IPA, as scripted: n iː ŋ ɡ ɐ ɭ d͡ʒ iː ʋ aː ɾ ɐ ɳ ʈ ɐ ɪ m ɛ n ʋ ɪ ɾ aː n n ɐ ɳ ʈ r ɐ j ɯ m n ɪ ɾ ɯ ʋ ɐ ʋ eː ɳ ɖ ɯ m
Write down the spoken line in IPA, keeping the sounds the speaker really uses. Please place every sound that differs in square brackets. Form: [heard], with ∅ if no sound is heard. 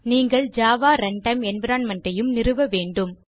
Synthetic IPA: n iː ŋ ɡ ɐ ɭ d͡ʒ [aː] ʋ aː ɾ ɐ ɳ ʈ ɐ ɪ m ɛ n ʋ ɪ ɾ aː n [m] ɐ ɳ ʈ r ɐ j ɯ m n ɪ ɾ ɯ ʋ ɐ ʋ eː ɳ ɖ ɯ m